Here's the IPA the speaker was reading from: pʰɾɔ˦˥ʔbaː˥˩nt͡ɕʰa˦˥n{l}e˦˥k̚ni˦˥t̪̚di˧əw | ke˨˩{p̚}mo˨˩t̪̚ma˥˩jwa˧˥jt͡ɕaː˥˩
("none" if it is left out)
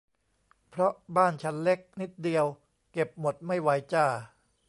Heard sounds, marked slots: l, p̚

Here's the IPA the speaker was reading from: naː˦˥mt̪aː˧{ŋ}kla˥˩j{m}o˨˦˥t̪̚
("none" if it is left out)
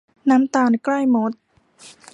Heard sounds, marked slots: n, m

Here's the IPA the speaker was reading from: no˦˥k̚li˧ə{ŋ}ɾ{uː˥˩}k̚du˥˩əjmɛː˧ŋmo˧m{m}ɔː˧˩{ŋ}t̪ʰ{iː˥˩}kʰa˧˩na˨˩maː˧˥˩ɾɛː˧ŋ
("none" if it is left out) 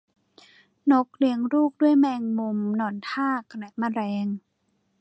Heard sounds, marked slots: ŋ, uː˥˩, n, n, aː˥˩

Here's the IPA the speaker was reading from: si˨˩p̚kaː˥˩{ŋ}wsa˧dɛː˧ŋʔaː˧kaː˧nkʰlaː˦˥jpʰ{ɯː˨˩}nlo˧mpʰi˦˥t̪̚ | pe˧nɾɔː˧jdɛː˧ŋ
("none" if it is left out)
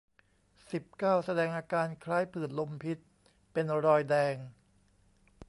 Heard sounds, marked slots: none, ɯː˨˩

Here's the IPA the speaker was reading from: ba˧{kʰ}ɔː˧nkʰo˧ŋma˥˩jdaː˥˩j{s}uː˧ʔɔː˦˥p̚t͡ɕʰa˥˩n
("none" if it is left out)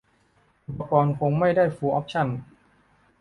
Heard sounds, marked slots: k, f

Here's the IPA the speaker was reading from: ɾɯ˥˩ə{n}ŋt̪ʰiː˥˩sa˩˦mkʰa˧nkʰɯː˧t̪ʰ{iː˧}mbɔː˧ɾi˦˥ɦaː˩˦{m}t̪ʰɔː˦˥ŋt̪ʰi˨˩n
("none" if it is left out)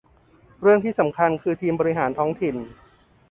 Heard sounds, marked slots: none, iː˧, n

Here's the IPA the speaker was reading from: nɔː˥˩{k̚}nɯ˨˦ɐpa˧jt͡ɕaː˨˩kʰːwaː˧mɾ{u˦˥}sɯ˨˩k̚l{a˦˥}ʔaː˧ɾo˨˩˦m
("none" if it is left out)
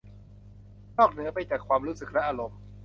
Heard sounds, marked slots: k̚, uː˦˥, ɛ˦˥

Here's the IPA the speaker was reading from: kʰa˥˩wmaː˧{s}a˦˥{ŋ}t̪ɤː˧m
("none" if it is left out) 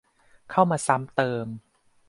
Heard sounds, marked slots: s, m

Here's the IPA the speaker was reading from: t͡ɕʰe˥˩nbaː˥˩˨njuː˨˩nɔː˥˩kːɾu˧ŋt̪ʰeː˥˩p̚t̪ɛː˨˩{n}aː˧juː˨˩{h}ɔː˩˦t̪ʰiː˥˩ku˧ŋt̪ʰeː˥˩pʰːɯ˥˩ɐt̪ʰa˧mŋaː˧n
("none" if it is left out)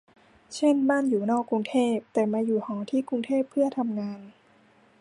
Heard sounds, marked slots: m, h

